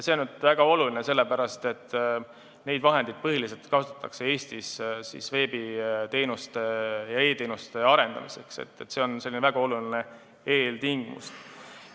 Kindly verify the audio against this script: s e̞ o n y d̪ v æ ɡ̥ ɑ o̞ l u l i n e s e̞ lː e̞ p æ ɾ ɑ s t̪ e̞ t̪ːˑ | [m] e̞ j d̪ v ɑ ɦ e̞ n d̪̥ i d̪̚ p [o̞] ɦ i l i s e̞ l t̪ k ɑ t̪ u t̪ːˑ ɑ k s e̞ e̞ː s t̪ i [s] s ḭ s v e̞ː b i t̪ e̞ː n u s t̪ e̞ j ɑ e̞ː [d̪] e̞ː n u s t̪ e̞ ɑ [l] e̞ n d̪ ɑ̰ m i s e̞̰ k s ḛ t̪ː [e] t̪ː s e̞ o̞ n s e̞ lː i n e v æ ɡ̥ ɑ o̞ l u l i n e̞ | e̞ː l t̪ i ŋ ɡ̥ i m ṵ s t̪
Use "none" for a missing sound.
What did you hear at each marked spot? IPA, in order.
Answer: n, ɤ̞, s, t̪, ɾ, e

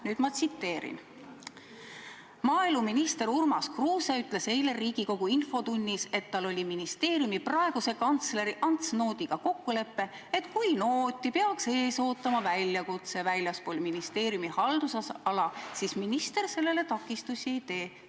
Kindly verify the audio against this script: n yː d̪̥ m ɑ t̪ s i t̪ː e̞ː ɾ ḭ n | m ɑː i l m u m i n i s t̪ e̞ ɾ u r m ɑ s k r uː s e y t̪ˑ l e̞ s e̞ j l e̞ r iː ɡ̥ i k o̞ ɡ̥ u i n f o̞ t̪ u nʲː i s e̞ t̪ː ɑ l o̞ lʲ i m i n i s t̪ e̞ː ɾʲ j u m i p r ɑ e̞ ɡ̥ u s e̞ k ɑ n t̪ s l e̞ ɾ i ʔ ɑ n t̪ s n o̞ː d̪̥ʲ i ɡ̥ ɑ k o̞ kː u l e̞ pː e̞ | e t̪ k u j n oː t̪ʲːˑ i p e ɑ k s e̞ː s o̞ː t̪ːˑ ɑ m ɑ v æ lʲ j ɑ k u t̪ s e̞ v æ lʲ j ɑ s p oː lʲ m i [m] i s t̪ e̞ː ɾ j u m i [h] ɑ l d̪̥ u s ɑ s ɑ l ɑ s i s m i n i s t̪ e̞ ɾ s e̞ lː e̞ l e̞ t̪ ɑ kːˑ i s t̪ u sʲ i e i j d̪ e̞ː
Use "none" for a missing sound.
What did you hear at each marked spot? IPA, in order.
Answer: n, h

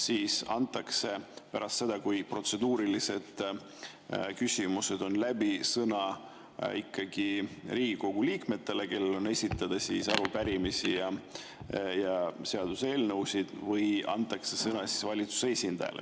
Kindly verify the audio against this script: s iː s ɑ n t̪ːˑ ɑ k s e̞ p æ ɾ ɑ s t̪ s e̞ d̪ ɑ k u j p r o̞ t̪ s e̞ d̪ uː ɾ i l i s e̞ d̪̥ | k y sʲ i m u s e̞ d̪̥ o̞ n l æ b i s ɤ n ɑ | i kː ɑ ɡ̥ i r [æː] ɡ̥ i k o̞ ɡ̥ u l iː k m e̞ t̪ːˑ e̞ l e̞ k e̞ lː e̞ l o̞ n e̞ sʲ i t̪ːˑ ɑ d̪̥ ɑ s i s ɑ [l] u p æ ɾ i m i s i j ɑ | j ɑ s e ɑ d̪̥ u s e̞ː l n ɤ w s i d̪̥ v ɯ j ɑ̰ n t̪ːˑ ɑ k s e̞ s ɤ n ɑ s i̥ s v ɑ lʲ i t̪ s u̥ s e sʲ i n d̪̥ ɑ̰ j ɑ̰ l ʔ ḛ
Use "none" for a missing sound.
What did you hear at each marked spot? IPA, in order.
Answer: iː, ɾ

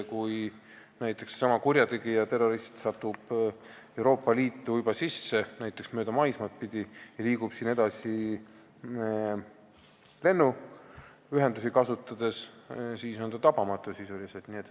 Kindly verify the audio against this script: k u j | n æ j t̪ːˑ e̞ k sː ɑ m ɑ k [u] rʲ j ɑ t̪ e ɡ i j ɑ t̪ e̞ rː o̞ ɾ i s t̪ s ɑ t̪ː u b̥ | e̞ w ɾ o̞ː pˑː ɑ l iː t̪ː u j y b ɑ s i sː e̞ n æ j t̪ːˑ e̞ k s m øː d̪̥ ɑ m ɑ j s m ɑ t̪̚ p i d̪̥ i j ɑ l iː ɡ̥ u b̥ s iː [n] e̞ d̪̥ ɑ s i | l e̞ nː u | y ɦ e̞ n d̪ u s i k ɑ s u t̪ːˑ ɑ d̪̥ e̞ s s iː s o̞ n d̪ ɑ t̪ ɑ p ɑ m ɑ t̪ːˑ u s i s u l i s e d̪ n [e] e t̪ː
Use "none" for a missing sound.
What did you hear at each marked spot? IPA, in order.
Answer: u, n, i

